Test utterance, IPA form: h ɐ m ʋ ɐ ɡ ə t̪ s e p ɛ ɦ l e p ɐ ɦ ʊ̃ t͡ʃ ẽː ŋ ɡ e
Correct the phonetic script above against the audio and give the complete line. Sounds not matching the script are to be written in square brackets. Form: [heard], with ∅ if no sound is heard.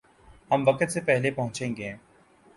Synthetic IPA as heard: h ɐ m ʋ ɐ [k] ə t̪ s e p ɛ ɦ l e p ɐ ɦ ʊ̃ t͡ʃ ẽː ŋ ɡ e